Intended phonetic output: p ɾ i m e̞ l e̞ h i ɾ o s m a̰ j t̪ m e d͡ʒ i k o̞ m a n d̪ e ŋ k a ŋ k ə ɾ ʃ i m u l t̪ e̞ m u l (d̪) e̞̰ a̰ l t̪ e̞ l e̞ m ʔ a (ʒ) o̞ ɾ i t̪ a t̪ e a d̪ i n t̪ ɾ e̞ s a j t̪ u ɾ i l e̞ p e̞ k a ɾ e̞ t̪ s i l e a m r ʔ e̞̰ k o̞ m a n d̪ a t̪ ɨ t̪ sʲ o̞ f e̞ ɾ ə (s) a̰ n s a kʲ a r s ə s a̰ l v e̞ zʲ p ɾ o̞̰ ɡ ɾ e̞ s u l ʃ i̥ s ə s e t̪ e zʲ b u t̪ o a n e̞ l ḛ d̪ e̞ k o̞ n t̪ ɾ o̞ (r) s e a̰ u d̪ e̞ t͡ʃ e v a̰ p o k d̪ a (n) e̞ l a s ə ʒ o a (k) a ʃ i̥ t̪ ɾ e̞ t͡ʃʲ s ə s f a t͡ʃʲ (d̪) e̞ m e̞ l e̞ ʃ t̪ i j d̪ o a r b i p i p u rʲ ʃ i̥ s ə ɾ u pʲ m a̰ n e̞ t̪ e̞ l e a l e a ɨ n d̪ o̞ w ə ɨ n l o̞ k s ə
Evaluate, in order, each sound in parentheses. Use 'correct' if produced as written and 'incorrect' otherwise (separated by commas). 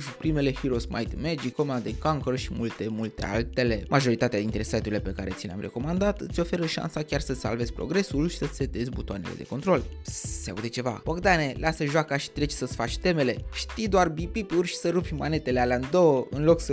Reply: incorrect, correct, incorrect, incorrect, correct, correct, incorrect